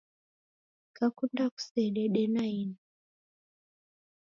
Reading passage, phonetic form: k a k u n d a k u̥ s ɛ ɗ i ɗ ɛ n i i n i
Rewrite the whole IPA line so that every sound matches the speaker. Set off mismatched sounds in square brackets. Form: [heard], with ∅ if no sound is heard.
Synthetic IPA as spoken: k a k u n d a k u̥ s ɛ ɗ [ɛ] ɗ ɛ n [a] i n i